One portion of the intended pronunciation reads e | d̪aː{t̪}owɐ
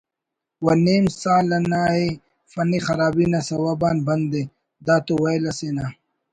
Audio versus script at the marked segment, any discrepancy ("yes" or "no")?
no